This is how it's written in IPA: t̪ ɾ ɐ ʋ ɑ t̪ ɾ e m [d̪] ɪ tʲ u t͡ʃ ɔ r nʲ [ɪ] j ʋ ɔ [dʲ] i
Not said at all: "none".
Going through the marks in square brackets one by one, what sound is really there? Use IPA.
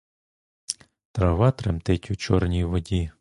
t̪, i, dʲ

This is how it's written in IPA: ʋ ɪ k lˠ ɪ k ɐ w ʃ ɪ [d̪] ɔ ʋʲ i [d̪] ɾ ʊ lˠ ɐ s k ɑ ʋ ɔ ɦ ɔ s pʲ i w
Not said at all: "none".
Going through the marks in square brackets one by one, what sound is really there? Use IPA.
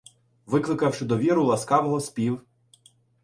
d̪, none

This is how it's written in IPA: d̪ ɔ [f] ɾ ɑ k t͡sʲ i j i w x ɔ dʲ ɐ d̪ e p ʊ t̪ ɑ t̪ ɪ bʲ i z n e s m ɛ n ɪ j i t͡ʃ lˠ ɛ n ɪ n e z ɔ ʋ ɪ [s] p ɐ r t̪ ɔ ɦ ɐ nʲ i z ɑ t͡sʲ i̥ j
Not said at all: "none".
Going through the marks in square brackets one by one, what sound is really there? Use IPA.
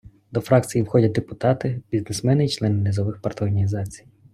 f, x

